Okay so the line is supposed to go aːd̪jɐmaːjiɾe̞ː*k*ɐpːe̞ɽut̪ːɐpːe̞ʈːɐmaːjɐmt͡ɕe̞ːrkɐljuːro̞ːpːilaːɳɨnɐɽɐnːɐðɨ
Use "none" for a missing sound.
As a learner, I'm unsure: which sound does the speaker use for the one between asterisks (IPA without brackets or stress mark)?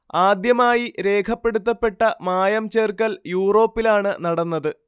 kʰ